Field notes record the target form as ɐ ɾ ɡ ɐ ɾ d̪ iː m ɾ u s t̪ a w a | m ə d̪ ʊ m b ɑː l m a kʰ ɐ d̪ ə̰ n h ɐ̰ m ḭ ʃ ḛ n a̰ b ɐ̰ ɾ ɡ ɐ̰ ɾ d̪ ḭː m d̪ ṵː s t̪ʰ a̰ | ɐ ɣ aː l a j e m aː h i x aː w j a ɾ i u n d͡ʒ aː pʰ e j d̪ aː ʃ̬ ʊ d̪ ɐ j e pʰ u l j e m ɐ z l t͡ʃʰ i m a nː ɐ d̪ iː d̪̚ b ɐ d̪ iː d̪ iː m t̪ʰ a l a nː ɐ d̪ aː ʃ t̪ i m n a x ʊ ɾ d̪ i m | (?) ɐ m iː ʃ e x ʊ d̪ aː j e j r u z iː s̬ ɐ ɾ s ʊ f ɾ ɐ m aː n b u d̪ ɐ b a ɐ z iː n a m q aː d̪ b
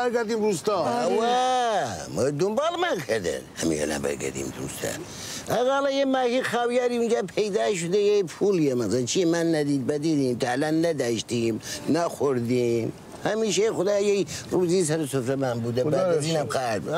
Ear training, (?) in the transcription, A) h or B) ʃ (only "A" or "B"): A